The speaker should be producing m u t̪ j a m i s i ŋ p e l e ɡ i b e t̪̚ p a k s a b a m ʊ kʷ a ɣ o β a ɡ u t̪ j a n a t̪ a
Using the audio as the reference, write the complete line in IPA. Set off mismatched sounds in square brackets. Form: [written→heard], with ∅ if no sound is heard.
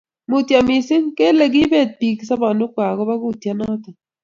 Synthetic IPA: m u t̪ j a m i s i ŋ [p→k] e l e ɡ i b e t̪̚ p [a→i] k s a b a [m→n] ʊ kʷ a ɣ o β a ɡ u t̪ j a n a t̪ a

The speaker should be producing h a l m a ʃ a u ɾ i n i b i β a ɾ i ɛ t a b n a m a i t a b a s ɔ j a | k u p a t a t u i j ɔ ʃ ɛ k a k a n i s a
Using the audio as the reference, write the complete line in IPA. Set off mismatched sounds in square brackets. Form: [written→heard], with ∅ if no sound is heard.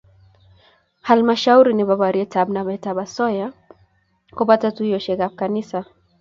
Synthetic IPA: h a l m a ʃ a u ɾ i n i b [i→a] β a ɾ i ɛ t a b n a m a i t a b a s ɔ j a | k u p a t a t u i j ɔ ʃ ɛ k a k a n i s a

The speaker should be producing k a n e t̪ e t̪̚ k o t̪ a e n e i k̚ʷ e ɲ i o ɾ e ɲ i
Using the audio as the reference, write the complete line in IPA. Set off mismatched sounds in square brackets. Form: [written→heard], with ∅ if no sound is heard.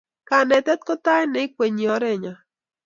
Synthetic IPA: k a n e t̪ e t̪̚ k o t̪ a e n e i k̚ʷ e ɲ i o ɾ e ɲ [i→a]

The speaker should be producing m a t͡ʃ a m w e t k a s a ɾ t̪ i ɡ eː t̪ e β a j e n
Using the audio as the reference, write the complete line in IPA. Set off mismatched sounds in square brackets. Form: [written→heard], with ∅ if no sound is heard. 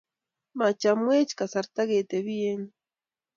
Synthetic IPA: m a t͡ʃ a m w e [t→t͡ʃ] k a s a ɾ t̪ [i→a] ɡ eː t̪ e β [a→i] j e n

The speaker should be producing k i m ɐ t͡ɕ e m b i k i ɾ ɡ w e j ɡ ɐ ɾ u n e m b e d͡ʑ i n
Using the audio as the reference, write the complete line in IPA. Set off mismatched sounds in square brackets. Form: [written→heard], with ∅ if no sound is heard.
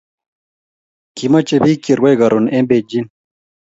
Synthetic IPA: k i m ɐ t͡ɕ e [m→∅] b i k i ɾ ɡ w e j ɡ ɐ ɾ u n e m b e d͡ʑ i n

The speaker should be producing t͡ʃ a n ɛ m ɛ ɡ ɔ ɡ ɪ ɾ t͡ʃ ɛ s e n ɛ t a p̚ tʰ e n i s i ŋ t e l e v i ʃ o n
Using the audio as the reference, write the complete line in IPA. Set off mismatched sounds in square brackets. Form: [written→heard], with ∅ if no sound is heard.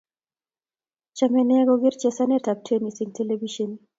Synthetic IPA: t͡ʃ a [n→m] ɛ [m→n] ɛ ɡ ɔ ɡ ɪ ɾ t͡ʃ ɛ s [e→a] n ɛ t a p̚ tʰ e n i s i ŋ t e l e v i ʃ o n

